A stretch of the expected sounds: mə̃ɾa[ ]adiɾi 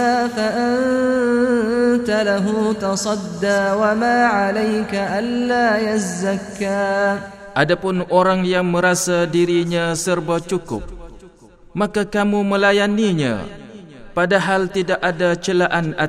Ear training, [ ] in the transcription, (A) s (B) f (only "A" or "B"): A